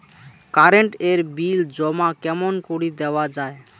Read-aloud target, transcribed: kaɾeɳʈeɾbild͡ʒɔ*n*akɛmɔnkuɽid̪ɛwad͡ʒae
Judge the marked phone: incorrect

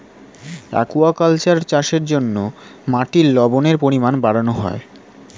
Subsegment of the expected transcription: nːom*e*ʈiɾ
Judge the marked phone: incorrect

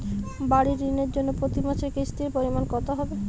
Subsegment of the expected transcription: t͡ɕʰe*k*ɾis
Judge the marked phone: correct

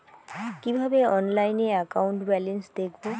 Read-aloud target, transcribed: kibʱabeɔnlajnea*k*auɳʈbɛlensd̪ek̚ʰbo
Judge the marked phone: correct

